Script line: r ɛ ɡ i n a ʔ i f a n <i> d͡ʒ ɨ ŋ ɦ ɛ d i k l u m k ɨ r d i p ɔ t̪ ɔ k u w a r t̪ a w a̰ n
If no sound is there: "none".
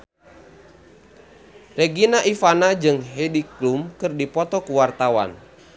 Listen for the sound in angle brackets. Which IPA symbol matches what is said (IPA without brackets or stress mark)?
a